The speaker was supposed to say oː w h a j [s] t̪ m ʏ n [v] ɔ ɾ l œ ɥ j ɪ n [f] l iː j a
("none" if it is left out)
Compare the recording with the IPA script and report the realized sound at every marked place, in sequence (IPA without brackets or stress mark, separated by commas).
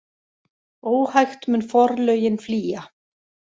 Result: x, f, f